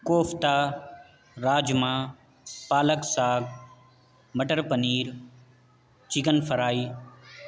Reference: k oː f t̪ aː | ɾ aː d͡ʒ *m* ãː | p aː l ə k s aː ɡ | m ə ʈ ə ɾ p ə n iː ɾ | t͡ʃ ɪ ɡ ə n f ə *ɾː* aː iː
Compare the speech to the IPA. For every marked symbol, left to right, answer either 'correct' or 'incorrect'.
correct, incorrect: ɾ

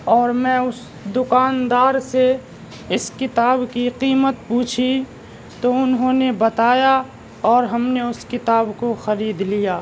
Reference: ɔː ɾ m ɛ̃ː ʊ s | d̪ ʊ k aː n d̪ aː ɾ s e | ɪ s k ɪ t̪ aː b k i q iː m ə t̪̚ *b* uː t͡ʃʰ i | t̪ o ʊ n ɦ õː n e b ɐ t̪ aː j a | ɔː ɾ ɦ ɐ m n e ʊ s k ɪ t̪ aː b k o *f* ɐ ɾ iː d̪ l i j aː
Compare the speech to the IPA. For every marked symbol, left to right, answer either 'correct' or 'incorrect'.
incorrect: p, incorrect: x

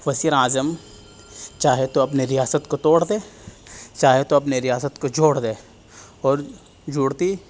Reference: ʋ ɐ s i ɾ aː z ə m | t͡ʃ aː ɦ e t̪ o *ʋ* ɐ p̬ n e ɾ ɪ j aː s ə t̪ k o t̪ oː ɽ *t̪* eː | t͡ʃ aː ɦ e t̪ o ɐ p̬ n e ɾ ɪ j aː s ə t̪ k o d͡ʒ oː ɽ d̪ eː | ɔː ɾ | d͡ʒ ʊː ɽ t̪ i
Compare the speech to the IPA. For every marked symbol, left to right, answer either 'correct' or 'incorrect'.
incorrect: none, incorrect: d̪

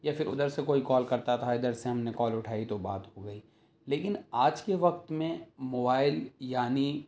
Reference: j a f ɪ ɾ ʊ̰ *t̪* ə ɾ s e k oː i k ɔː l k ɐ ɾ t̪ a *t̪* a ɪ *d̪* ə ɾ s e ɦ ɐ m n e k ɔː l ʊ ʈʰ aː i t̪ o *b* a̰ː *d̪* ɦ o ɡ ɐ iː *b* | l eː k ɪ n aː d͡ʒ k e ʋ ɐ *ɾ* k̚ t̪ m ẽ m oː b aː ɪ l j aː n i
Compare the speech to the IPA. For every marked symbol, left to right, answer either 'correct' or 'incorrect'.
incorrect: d̪, incorrect: t̪ʰ, correct, correct, incorrect: t̪, incorrect: none, incorrect: none

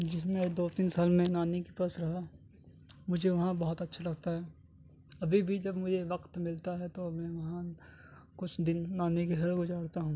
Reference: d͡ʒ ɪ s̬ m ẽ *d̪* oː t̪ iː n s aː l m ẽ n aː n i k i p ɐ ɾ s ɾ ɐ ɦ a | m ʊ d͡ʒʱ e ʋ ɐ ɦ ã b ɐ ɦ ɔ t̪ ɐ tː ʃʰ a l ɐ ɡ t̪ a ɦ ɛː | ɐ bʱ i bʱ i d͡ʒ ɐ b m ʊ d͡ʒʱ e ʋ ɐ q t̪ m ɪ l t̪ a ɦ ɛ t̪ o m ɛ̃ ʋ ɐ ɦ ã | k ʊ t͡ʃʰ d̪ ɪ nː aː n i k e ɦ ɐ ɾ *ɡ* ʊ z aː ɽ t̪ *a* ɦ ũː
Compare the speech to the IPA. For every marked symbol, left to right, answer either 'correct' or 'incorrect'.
correct, correct, correct

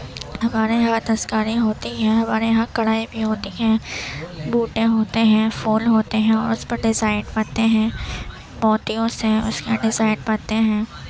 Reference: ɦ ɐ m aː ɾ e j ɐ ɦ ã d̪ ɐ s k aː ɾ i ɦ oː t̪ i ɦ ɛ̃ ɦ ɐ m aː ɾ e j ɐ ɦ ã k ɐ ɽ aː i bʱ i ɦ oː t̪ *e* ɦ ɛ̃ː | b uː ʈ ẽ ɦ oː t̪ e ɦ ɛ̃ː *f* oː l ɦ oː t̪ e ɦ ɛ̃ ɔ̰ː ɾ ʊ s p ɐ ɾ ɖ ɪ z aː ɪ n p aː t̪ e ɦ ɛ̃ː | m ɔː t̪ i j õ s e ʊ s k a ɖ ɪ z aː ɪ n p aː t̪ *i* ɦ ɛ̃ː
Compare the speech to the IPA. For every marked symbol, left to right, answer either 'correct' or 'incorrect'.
incorrect: i, correct, incorrect: e

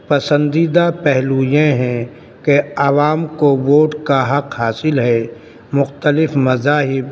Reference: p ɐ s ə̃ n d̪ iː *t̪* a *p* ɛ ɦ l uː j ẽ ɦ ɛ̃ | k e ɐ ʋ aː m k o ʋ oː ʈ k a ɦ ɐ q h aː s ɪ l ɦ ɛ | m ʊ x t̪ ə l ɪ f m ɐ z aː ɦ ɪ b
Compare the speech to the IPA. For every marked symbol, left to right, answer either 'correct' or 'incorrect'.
incorrect: d̪, correct

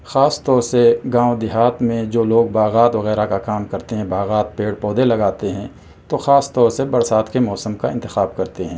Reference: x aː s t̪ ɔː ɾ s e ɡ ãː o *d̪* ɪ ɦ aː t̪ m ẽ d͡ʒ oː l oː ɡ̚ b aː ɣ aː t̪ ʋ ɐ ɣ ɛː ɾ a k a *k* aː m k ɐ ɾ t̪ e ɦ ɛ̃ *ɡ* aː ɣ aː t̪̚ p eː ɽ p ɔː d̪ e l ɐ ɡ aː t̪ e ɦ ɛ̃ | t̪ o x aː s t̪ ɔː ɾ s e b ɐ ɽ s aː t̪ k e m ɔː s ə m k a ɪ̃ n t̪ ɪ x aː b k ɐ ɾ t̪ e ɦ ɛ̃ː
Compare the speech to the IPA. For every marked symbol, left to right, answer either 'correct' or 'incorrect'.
correct, correct, incorrect: b

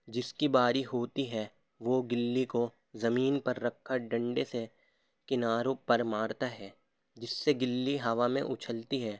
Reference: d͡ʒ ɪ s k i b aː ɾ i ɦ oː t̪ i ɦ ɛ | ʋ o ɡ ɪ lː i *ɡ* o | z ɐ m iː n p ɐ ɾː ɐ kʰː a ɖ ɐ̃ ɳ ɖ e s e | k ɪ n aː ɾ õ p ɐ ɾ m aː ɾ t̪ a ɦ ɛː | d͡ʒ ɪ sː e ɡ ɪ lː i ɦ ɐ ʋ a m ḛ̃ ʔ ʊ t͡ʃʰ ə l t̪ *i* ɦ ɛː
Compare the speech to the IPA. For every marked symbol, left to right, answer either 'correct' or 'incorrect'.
incorrect: k, correct

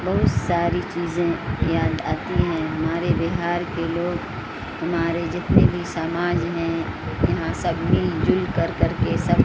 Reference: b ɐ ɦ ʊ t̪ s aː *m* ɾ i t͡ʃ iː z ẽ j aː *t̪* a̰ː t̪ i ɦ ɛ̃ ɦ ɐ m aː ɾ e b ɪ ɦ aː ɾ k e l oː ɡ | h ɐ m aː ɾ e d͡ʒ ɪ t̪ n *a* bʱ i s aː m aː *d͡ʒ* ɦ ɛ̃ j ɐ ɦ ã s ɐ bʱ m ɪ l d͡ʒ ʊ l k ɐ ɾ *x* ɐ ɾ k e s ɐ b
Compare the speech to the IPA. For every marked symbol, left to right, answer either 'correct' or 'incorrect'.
incorrect: none, incorrect: d̪, incorrect: e, correct, incorrect: k

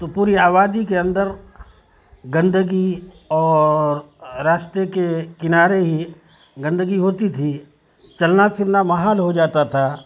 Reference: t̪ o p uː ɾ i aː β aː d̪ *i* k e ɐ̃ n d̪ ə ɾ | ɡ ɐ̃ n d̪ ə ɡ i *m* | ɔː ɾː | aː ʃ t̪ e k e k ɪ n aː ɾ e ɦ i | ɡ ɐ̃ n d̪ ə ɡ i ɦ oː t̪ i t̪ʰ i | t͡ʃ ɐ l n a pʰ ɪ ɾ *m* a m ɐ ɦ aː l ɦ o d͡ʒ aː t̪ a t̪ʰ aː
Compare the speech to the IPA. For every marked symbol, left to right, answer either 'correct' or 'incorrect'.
correct, incorrect: none, incorrect: n

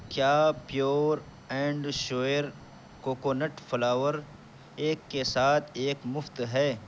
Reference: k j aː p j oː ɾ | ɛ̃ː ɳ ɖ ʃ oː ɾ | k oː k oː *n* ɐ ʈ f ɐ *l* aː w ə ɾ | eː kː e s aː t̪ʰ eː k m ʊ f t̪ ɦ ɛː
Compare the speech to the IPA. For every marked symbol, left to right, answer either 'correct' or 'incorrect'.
correct, correct

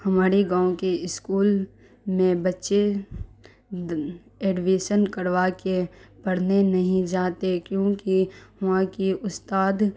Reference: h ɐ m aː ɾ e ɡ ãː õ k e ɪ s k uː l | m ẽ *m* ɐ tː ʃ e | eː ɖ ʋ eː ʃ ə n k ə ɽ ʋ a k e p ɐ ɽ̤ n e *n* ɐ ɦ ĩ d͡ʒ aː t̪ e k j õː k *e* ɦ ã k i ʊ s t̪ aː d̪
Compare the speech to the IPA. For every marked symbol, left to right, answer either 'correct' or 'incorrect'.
incorrect: b, correct, incorrect: i

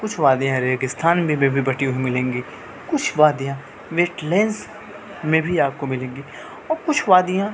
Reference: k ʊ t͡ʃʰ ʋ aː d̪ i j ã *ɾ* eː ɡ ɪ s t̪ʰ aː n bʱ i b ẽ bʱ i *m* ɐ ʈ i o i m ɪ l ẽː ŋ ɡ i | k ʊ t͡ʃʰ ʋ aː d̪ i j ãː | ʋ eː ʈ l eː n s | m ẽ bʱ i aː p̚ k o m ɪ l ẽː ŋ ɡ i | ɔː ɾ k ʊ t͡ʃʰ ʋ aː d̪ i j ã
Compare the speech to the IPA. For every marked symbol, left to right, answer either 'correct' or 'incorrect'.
correct, incorrect: b

